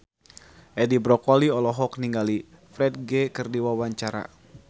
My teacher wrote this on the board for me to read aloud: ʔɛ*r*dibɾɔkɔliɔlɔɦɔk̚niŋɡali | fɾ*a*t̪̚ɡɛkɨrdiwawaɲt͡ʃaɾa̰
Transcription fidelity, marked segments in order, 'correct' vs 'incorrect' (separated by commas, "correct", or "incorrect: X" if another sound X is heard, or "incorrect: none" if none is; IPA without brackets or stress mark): incorrect: none, incorrect: ɛ